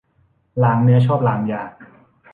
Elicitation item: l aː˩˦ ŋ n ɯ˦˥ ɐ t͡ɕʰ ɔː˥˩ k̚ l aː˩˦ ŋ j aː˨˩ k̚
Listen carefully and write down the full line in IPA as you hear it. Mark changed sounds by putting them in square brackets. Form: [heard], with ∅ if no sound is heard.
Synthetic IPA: l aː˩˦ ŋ n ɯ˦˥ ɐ t͡ɕʰ ɔː˥˩ [p̚] l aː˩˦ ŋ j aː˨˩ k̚